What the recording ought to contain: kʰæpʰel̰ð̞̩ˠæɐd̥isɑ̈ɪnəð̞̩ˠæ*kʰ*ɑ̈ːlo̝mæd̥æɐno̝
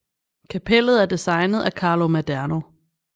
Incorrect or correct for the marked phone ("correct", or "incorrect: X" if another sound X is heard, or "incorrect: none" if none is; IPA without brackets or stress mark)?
correct